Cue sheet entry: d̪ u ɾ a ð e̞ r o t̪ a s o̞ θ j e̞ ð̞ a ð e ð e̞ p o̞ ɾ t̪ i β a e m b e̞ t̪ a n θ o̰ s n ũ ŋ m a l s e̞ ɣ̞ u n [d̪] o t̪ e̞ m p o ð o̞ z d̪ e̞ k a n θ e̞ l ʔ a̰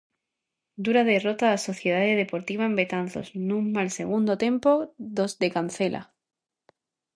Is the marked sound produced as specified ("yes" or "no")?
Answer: yes